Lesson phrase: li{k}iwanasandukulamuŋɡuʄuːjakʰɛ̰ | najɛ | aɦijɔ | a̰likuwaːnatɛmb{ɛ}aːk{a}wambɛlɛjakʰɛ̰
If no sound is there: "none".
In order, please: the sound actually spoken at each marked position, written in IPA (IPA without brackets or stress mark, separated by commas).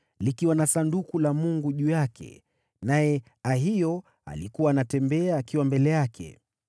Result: k, ɛ, i